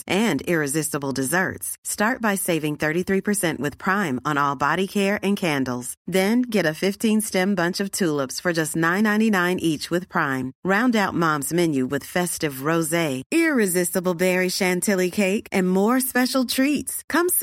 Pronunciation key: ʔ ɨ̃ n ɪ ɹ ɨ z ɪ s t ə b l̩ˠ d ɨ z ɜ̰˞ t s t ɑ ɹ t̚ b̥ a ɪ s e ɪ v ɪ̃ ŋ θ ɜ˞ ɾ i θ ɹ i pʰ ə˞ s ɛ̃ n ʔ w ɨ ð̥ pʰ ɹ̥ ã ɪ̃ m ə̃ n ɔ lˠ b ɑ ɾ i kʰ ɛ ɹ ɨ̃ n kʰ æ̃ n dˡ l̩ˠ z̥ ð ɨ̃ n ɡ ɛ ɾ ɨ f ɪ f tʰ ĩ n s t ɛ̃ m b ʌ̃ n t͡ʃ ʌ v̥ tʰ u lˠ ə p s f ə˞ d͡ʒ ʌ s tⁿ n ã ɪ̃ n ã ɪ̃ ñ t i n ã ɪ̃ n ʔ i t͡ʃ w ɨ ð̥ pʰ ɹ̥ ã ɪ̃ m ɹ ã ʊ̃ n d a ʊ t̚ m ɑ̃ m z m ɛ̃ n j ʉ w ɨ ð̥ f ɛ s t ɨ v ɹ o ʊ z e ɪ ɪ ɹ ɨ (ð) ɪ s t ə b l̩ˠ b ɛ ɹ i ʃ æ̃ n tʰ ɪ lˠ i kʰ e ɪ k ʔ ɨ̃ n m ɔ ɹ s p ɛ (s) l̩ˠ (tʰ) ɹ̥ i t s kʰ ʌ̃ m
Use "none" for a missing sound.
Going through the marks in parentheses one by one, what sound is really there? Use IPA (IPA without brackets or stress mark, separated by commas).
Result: z, ʃ, tʰ